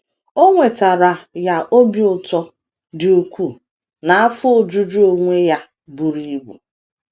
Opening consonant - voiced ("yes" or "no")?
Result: yes